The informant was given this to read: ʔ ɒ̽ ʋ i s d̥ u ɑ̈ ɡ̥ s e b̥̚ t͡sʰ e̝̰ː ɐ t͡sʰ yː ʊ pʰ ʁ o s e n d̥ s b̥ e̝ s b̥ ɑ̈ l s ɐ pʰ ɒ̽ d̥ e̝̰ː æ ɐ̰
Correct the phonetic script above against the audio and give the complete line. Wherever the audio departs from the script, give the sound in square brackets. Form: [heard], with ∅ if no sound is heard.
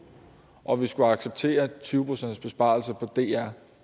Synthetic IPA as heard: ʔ ɒ̽ ʋ i s [ɡ̥] u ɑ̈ ɡ̥ s e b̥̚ t͡sʰ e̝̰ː ɐ t͡sʰ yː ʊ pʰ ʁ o s e n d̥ s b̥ e̝ s b̥ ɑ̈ l s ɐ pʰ ɒ̽ d̥ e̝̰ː æ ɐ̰